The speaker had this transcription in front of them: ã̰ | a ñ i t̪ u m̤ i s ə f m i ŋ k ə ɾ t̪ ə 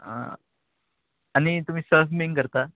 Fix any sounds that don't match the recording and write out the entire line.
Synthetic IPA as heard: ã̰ | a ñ i t̪ u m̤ iː s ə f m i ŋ k ə ɾ t̪ a